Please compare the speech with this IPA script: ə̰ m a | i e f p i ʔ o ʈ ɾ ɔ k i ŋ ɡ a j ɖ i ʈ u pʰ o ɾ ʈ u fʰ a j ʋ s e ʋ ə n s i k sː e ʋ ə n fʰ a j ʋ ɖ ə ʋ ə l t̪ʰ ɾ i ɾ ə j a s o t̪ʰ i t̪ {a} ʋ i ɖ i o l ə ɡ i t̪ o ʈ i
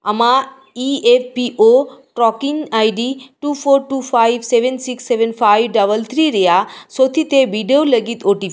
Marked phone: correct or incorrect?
incorrect